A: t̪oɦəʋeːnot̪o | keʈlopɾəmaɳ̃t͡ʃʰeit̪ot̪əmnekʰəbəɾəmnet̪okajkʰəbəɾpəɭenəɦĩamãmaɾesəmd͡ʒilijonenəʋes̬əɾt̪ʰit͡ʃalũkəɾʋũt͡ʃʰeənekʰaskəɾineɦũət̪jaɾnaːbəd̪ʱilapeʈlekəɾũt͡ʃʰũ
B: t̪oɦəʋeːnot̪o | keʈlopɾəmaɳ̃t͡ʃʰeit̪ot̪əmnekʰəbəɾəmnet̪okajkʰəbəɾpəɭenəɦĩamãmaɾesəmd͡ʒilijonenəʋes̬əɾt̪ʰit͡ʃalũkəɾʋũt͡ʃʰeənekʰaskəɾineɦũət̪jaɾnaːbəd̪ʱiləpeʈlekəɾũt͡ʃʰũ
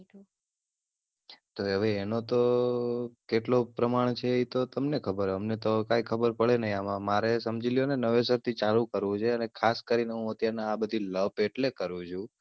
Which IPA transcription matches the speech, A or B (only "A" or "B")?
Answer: B